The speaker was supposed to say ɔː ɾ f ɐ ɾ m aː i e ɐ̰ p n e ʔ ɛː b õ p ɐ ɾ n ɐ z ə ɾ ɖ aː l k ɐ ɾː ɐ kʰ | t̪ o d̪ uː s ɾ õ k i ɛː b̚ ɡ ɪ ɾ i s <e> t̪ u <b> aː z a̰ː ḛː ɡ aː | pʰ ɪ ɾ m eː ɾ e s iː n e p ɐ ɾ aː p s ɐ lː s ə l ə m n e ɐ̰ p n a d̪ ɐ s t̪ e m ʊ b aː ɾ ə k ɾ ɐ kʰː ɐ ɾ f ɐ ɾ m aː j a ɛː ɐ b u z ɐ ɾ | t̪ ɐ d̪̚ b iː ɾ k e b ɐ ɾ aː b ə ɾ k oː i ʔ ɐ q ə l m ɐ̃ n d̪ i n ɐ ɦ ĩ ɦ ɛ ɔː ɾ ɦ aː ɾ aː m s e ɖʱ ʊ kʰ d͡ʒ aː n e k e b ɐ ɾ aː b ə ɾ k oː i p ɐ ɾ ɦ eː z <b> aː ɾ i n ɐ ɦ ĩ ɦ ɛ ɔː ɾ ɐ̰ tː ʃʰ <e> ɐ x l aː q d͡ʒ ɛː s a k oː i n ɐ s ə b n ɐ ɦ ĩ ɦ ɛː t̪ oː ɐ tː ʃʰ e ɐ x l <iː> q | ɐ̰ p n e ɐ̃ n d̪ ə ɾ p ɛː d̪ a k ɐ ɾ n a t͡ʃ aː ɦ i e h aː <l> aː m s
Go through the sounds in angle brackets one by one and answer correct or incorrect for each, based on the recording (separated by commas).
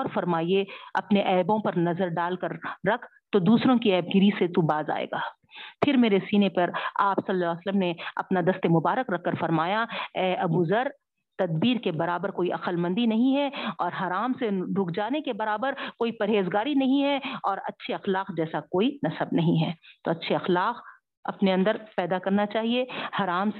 correct, correct, incorrect, correct, incorrect, incorrect